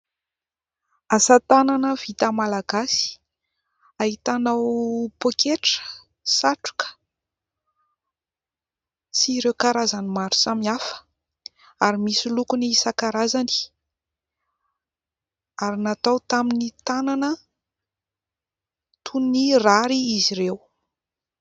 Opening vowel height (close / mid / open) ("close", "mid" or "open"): open